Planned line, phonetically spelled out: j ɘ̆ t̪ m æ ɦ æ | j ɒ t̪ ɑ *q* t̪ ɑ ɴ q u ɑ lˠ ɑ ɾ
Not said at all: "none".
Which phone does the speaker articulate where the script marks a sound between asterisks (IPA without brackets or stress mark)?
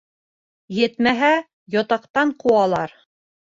q